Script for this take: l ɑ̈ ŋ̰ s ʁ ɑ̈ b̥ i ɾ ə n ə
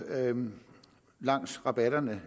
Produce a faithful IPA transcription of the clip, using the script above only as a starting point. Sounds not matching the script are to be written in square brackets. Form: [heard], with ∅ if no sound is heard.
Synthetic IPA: l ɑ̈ ŋ̰ s ʁ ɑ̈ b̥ [æ] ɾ [ɐ] n ə